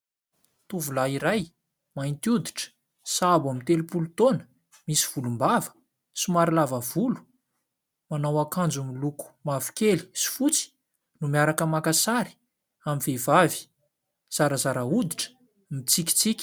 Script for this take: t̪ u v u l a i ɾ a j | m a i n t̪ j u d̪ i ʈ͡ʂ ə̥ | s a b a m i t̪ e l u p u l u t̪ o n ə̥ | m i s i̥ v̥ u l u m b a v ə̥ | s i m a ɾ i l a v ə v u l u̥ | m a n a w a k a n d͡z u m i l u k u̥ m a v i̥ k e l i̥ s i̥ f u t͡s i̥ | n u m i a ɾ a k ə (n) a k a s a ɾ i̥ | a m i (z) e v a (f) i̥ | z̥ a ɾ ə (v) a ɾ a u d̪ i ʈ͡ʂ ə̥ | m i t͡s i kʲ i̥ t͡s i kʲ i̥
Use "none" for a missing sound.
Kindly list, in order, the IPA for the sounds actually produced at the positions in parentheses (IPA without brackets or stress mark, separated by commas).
m, v, v, z